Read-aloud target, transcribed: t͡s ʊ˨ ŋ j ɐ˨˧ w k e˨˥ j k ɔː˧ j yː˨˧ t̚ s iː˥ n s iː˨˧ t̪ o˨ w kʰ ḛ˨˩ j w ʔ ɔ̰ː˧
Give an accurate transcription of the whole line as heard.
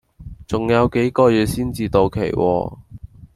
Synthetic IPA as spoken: t͡s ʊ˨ ŋ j ɐ˨˧ w k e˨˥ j k ɔː˧ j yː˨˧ t̚ s iː˥ n t͡s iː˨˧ t̪ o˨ w kʰ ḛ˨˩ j w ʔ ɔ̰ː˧